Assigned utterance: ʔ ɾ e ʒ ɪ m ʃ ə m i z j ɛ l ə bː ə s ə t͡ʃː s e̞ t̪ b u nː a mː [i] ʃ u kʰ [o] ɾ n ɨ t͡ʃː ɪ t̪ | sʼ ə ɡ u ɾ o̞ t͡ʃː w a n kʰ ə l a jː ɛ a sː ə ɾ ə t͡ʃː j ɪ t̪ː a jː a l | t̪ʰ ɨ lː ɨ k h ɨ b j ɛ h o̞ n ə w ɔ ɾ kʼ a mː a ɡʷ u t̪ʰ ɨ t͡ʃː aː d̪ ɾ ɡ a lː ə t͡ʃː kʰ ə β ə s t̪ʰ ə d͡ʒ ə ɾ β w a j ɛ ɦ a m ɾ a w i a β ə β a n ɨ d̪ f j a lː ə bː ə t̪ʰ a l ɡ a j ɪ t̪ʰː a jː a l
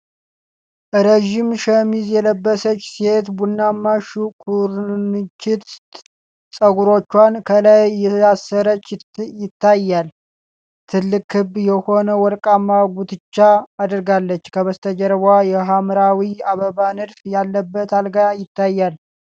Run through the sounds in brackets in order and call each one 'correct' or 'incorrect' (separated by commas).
incorrect, incorrect